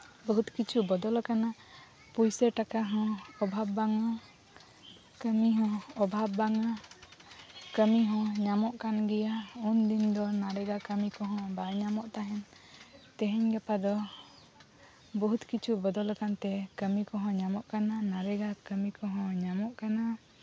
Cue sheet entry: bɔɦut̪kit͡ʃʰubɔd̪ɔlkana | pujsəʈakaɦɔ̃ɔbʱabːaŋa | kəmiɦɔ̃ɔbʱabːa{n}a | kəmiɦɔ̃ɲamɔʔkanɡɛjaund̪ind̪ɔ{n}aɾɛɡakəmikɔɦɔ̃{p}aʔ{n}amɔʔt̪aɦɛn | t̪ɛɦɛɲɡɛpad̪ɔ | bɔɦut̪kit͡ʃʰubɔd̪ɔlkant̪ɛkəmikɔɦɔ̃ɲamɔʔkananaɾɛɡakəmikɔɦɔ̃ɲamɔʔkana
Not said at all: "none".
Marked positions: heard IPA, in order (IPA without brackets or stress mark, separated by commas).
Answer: ŋ, n, b, ɲ